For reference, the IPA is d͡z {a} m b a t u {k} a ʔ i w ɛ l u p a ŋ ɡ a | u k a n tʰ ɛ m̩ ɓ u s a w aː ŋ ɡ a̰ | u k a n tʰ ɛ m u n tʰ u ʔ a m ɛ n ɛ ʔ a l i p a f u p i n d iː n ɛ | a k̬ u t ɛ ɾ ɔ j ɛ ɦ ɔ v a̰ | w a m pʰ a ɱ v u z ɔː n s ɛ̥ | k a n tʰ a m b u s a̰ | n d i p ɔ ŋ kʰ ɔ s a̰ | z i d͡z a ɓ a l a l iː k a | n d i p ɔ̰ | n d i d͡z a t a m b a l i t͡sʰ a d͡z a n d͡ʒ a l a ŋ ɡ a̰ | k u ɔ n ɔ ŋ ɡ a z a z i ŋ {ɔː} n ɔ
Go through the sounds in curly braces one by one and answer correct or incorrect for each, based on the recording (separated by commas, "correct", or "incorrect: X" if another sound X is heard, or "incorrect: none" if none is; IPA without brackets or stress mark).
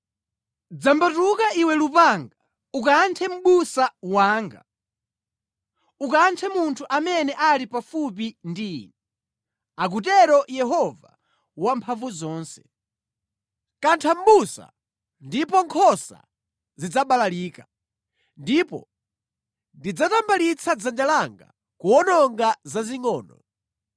correct, correct, correct